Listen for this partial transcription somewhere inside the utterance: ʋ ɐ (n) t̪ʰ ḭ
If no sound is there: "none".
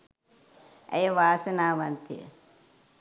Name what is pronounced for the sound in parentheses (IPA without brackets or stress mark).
n